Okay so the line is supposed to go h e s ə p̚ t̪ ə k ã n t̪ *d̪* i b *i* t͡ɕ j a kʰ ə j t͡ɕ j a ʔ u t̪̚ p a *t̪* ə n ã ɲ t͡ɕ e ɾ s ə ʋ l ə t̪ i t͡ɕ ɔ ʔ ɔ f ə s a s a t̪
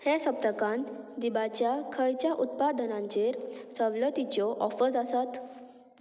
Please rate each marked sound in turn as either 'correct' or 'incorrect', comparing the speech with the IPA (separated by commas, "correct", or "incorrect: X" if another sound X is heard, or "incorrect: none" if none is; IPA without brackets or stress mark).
correct, incorrect: a, incorrect: d̪